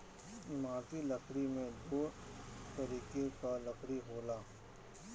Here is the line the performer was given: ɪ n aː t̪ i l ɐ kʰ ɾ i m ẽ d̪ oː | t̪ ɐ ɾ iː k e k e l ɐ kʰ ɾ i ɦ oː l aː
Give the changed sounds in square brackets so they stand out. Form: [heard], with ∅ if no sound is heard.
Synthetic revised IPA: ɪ [m] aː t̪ i l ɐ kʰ ɾ i m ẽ d̪ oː | t̪ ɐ ɾ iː k e k [a] l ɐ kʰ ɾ i ɦ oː l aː